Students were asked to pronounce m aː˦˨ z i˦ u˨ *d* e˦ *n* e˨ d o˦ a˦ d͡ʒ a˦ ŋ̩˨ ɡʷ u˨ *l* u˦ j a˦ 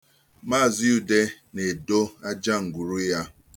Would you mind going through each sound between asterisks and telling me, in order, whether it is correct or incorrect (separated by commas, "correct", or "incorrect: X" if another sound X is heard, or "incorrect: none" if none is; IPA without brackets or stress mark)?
correct, correct, incorrect: ɾ